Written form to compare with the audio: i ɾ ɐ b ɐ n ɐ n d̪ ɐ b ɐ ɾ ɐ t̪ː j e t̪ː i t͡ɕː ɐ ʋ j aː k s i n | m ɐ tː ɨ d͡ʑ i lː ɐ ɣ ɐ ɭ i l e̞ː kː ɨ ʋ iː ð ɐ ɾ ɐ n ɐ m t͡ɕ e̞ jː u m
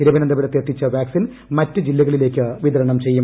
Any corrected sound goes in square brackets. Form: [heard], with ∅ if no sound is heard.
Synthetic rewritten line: i ɾ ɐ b ɐ n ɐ n d̪ ɐ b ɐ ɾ ɐ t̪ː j e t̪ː i t͡ɕː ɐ ʋ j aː k s i n | m ɐ tː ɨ d͡ʑ i lː ɐ ɣ ɐ ɭ i l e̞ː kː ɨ ʋ [i] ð ɐ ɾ ɐ [ɳ] ɐ m t͡ɕ e̞ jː u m